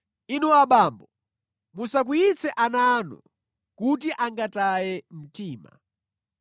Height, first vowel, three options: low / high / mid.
high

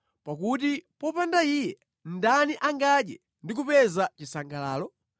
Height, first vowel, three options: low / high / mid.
low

